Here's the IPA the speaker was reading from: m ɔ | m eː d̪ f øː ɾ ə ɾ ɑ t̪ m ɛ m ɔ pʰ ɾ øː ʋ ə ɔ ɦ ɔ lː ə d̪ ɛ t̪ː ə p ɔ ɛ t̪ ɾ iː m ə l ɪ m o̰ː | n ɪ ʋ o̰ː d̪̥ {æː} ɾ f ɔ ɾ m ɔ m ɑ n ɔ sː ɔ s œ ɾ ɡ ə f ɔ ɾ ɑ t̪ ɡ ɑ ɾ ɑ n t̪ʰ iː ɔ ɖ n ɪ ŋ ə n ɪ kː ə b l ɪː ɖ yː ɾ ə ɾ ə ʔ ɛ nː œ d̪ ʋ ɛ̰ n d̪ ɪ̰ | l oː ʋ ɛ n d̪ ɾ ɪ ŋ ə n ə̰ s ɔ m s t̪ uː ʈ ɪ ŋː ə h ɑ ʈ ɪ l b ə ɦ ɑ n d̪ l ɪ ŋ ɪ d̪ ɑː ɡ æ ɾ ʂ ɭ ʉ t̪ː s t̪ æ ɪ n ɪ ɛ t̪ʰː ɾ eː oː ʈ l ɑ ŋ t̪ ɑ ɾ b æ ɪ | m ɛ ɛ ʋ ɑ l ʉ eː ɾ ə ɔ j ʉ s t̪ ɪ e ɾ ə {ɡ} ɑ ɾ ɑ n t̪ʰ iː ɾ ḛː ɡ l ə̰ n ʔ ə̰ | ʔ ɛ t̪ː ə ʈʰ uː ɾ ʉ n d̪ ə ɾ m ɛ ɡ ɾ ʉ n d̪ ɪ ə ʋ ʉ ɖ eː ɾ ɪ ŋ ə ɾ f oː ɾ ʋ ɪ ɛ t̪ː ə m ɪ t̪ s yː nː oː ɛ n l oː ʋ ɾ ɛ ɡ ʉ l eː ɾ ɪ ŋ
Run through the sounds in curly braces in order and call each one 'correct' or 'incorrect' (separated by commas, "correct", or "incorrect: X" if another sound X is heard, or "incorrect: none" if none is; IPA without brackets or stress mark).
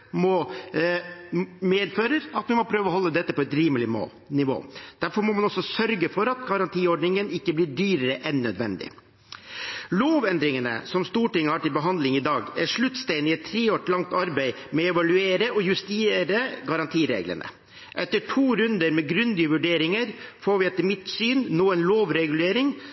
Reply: incorrect: æ, correct